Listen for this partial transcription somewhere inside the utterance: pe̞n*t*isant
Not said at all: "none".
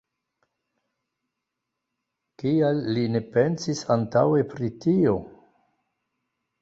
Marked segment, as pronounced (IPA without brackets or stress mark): s